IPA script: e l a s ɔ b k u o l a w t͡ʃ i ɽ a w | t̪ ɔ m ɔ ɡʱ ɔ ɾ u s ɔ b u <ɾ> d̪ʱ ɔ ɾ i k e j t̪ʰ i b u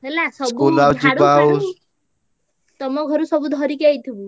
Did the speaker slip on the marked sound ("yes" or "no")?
yes